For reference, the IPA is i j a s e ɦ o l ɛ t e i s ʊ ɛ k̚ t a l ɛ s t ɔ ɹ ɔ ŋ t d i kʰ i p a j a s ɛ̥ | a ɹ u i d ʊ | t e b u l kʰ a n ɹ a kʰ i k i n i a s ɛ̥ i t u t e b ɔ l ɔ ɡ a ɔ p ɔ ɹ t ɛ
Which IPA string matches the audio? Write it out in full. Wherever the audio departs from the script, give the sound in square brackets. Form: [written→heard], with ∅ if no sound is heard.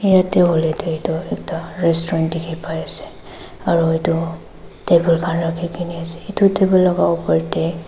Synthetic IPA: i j a [s→t] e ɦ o l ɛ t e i [s→t] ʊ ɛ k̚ t a [l→ɹ] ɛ s t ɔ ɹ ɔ [ŋ→n] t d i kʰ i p a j a s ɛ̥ | a ɹ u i [d→t] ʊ | t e b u l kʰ a n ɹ a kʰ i k i n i a s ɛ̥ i t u t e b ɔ l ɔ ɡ a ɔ p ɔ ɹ t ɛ